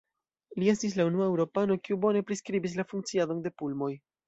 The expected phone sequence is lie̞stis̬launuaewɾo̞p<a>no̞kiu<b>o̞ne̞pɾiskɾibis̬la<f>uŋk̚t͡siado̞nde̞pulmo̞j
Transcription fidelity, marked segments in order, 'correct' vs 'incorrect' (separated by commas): correct, correct, correct